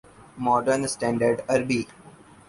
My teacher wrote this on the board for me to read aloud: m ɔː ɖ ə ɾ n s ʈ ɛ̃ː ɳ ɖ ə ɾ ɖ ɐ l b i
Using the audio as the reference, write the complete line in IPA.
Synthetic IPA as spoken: m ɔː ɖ ə ɾ n s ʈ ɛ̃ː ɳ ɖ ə ɾ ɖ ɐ ɾ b i